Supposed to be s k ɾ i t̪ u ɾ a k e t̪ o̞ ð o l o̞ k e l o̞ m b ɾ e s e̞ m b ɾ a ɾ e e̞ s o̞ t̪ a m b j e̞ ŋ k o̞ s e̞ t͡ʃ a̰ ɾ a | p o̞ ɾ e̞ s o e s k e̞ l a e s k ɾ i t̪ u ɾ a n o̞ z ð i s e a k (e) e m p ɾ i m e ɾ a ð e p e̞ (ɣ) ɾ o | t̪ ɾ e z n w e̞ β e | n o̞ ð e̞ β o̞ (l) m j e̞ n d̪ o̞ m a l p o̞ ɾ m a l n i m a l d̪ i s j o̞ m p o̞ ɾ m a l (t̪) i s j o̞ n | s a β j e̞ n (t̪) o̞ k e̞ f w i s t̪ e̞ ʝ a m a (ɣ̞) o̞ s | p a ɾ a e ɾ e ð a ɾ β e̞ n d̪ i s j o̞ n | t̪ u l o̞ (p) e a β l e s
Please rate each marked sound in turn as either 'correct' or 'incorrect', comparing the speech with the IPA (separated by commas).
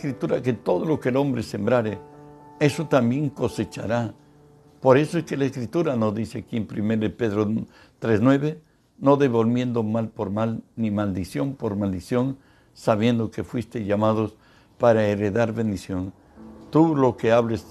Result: incorrect, incorrect, correct, incorrect, incorrect, incorrect, incorrect